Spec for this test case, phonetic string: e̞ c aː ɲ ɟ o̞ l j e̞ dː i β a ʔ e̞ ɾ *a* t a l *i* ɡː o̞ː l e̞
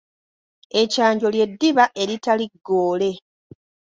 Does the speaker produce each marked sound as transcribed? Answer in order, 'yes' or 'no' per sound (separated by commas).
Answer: no, yes